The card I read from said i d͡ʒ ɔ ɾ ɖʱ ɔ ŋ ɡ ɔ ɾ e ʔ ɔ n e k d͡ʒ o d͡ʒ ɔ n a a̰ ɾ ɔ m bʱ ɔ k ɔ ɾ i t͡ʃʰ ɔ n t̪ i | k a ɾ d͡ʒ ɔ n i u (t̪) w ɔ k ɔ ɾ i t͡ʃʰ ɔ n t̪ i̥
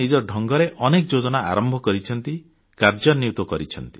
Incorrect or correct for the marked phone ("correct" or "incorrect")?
correct